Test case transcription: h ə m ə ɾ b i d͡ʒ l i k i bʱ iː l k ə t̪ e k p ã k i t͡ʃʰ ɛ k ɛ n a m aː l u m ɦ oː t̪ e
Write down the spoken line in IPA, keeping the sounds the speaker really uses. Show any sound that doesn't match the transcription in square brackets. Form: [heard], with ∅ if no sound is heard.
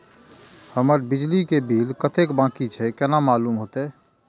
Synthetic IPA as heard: h ə m ə ɾ b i d͡ʒ l i k [e] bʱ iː l k ə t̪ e k [b] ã k i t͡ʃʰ ɛ k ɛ n a m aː l u m ɦ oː t̪ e